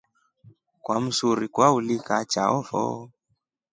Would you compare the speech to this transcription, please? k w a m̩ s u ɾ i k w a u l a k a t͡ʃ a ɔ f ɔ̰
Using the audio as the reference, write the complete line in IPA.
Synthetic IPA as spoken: k w a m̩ s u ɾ i k w a u l i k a t͡ʃ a ɔ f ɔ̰